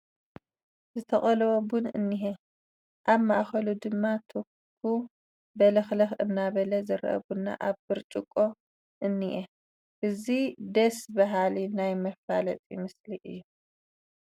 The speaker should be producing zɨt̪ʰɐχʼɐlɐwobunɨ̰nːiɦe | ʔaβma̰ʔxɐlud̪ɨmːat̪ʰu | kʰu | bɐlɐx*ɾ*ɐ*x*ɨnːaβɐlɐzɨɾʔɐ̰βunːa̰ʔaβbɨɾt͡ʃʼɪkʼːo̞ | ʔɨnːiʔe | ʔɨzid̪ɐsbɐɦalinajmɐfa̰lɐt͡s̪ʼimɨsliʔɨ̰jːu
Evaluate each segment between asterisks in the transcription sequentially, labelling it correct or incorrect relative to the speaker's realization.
incorrect: l, correct

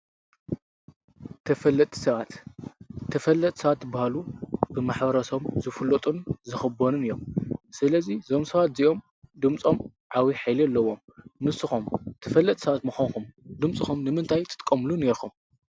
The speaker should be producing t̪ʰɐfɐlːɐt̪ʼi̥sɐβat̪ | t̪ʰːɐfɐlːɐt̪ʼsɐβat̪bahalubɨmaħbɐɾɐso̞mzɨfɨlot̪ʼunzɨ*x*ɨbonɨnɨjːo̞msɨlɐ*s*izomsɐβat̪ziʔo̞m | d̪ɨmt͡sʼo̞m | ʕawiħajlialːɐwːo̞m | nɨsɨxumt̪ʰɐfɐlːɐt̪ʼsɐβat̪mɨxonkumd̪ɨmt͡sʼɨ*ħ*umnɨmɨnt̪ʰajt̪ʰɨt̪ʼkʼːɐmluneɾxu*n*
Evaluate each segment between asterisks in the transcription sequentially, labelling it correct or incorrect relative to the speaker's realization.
correct, incorrect: z, incorrect: x, incorrect: m

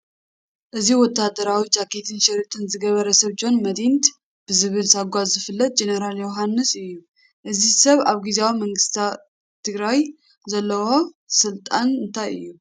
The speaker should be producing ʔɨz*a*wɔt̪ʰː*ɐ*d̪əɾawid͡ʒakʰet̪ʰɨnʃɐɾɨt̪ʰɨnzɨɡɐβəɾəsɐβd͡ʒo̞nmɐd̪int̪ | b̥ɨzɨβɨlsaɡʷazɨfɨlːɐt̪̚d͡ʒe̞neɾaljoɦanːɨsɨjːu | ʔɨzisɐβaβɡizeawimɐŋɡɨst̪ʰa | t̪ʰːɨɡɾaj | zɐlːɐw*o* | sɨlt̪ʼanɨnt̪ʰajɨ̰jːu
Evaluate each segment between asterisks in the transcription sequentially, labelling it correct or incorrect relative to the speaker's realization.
incorrect: i, incorrect: a, correct

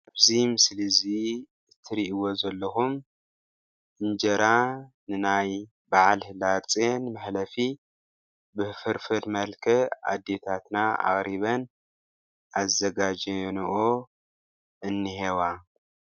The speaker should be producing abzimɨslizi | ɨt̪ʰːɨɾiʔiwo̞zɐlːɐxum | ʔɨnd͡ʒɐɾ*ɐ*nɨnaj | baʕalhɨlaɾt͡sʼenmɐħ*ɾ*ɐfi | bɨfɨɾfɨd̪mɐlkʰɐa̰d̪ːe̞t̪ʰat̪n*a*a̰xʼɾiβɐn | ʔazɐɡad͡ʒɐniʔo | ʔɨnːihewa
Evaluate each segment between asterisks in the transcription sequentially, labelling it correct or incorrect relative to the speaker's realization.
incorrect: a, incorrect: l, correct

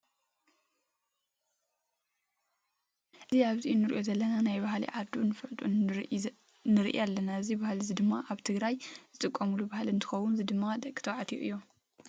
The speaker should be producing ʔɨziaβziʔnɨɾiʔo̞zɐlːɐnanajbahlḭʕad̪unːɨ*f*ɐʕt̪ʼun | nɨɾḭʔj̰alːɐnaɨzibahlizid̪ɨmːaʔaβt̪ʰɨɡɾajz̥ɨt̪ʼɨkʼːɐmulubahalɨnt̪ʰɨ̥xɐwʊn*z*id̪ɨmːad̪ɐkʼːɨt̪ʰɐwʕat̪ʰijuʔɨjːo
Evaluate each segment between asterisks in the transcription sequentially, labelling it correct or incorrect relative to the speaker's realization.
correct, correct

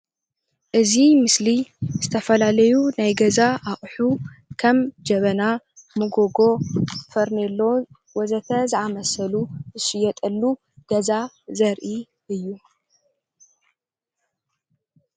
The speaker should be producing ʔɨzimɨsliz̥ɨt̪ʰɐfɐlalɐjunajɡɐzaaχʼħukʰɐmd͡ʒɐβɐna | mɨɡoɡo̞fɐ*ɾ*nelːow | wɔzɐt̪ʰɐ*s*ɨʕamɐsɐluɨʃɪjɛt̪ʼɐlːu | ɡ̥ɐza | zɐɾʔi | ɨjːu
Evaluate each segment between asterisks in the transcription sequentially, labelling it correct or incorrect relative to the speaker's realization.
correct, incorrect: z

